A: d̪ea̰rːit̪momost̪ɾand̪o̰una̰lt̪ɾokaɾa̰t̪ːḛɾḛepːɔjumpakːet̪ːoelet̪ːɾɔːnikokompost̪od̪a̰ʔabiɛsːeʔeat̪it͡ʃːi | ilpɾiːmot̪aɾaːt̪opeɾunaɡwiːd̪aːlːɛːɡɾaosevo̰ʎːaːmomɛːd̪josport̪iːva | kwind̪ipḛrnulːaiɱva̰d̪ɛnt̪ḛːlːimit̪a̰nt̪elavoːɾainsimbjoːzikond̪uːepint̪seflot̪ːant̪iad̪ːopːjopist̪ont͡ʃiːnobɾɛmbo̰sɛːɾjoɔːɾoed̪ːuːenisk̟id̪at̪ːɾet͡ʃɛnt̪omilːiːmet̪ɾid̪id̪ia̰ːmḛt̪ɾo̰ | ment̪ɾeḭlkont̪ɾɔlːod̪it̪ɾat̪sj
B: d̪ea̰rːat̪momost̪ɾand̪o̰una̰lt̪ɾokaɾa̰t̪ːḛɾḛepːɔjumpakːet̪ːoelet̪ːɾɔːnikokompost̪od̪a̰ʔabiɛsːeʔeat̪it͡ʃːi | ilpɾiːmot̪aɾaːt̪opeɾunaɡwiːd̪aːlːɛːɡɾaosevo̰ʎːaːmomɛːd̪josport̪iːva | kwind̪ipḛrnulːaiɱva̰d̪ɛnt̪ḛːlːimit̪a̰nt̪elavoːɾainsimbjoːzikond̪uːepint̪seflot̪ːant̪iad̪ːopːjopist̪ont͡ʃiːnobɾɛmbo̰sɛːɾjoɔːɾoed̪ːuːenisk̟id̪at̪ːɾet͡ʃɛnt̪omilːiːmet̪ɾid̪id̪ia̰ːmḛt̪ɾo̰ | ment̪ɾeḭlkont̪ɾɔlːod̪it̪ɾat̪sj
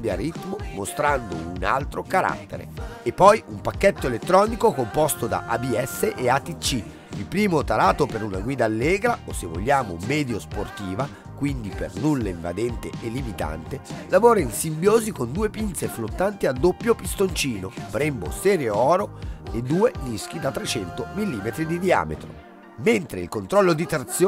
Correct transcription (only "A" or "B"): A